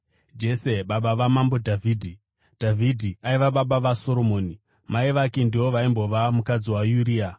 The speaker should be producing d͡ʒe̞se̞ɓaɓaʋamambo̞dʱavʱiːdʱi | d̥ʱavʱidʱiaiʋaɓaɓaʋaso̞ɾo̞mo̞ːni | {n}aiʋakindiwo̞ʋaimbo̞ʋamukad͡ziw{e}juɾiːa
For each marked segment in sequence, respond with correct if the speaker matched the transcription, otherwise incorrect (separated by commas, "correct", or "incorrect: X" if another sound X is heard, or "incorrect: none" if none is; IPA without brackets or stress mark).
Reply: incorrect: m, incorrect: a